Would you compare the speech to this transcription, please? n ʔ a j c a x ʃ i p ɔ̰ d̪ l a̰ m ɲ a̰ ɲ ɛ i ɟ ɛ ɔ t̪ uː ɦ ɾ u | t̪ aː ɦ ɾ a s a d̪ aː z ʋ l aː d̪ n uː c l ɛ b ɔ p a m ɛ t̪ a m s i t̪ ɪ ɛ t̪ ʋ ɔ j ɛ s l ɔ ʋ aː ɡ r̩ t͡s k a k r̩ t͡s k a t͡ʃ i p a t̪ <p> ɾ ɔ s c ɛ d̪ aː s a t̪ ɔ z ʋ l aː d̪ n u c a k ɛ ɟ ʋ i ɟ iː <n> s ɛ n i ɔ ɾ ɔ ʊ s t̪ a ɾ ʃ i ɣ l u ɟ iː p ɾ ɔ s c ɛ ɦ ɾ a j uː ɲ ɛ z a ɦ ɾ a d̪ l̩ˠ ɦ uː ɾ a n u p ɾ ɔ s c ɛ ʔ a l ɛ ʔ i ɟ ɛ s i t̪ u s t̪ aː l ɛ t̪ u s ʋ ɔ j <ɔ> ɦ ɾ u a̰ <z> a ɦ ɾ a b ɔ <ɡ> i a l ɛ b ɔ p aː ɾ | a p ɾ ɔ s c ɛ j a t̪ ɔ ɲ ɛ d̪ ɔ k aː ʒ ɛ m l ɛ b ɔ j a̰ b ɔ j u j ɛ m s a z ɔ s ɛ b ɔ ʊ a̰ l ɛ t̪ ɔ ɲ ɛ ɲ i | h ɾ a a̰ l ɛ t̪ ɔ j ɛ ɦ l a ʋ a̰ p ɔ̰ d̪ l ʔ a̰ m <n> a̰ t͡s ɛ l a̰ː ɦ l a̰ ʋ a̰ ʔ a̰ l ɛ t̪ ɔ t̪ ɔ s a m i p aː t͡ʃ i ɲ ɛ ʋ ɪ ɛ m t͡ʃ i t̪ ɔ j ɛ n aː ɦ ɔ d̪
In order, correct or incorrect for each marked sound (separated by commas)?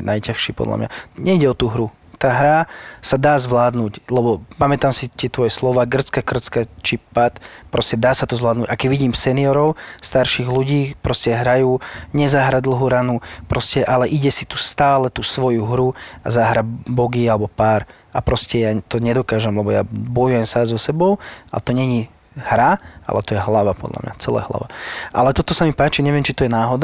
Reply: correct, incorrect, incorrect, correct, correct, incorrect